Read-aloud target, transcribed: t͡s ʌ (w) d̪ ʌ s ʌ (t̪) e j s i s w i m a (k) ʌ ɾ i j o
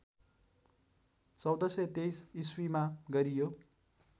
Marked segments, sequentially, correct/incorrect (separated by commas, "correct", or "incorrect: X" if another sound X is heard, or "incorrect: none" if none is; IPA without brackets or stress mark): correct, correct, incorrect: ɡ